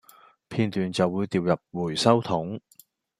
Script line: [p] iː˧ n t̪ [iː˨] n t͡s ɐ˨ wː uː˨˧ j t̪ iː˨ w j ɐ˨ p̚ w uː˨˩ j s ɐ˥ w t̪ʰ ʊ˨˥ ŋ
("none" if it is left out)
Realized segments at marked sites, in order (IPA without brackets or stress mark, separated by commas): pʰ, yː˨